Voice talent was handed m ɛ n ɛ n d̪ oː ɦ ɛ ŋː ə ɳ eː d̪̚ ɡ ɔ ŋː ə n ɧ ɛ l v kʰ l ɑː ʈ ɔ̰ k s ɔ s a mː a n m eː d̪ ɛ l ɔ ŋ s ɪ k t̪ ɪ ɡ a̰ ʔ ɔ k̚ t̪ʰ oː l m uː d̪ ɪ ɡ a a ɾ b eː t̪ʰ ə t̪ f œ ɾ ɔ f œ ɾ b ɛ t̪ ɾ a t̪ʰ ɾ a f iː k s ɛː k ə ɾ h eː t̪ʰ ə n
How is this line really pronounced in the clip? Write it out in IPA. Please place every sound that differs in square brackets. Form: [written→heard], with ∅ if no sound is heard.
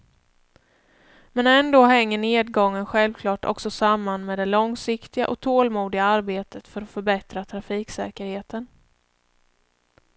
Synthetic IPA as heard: m ɛ n ɛ n d̪ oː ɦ ɛ ŋː ə ɳ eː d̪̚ ɡ ɔ ŋː ə n ɧ ɛ l v kʰ l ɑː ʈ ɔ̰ k s ɔ s a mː a n m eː d̪ ɛ l ɔ ŋ s ɪ k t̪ ɪ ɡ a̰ ʔ ɔ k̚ t̪ʰ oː l m uː d̪ ɪ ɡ a a ɾ b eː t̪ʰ ə t̪ f œ ɾ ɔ f œ ɾ b ɛ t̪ ɾ a t̪ʰ ɾ a f iː k s ɛː k ə ɾ h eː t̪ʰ ə n